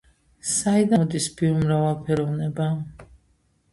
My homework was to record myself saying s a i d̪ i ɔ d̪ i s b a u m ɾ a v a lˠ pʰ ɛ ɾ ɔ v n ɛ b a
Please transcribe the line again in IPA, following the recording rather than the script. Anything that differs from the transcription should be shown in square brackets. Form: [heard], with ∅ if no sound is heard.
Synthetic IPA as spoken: s a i d̪ [a] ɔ d̪ i s b [i] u m ɾ a v a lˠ pʰ ɛ ɾ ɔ v n ɛ b a

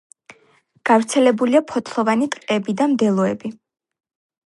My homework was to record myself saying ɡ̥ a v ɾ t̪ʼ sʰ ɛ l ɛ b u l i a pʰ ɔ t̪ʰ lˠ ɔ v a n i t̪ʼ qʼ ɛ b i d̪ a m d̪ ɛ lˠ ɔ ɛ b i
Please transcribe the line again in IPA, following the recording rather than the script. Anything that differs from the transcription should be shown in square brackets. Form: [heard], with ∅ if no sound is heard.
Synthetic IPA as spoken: ɡ̥ a v ɾ [t̪] sʰ ɛ l ɛ b u l i a pʰ ɔ t̪ʰ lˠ ɔ v a n i t̪ʼ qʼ ɛ b i d̪ a m d̪ ɛ lˠ ɔ ɛ b i

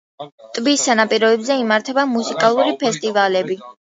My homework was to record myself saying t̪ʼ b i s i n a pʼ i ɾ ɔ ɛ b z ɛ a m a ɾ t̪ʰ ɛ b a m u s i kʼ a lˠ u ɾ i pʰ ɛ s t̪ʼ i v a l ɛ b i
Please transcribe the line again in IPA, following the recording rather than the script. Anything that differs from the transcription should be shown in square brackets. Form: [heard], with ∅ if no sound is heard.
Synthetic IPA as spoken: t̪ʼ b i s [a] n a pʼ i ɾ ɔ ɛ b z ɛ [i] m a ɾ t̪ʰ ɛ b a m u s i kʼ a lˠ u ɾ i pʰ ɛ s t̪ʼ i v a l ɛ b i

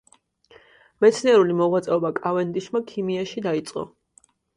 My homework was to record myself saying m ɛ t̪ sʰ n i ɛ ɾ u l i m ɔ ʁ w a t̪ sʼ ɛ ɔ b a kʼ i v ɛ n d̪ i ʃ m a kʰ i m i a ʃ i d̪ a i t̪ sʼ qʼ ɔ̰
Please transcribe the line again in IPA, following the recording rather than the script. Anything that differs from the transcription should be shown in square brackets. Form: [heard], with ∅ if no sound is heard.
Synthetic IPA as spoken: m ɛ t̪ sʰ n i ɛ ɾ u l i m ɔ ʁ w a t̪ sʼ ɛ ɔ b a kʼ [a] v ɛ n d̪ i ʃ m a kʰ i m i a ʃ i d̪ a i t̪ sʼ qʼ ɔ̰

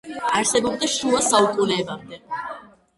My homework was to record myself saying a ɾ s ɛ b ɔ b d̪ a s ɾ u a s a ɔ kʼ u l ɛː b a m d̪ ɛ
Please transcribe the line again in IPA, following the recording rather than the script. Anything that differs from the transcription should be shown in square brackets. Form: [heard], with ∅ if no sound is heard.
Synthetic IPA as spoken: a ɾ s ɛ b ɔ b d̪ a [ʃ] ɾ u a s a [u] kʼ u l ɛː b a m d̪ ɛ

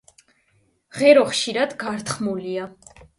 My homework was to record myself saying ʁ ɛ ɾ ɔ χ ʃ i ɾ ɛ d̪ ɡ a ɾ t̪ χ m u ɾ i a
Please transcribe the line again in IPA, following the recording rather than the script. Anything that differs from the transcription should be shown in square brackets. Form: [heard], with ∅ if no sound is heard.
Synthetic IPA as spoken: ʁ ɛ ɾ ɔ χ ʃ i ɾ [a] d̪ ɡ a ɾ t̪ χ m u [l] i a

